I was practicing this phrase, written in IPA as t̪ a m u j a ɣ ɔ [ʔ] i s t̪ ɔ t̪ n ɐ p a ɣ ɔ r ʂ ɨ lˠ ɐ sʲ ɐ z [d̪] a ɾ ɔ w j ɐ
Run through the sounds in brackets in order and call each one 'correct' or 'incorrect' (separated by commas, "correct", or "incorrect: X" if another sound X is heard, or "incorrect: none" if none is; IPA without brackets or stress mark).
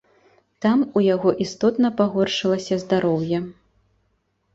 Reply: correct, correct